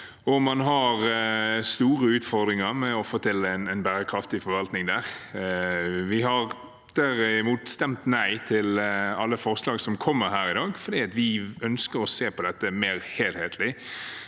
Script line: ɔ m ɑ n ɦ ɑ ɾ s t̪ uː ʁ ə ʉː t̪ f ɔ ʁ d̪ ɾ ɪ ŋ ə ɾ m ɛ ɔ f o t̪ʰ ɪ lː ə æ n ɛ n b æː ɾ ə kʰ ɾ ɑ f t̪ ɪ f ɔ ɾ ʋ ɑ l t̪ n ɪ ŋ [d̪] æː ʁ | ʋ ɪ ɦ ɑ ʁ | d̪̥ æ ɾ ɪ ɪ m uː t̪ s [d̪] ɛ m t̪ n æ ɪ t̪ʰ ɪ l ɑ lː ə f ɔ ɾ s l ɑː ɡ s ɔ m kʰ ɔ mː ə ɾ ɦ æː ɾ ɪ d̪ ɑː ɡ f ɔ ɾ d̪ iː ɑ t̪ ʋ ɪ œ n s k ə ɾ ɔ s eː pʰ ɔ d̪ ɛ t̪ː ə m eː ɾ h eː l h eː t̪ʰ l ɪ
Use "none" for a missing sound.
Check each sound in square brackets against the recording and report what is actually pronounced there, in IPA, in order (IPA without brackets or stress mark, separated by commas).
d̪, t̪